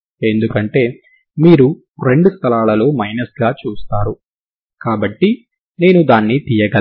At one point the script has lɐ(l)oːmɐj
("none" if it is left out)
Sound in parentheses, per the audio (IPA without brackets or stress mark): l